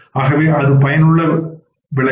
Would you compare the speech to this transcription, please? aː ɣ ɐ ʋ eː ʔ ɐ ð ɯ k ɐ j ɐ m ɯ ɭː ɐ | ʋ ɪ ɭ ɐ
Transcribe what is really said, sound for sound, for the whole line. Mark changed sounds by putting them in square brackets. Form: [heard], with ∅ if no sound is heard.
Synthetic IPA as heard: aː ɣ ɐ ʋ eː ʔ ɐ ð ɯ [p] ɐ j ɐ [n] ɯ ɭː ɐ | ʋ ɪ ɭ ɐ